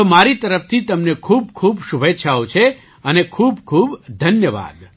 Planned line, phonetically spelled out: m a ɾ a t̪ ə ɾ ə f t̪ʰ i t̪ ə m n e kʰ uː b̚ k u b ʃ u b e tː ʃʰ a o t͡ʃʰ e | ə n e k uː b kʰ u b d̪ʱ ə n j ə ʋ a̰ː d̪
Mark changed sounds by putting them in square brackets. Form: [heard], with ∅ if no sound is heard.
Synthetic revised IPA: m a ɾ [i] t̪ ə ɾ ə f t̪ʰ i t̪ ə m n e kʰ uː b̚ [kʰ] u b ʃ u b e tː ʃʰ a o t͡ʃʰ e | ə n e [kʰ] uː b kʰ u b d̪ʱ ə n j ə ʋ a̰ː d̪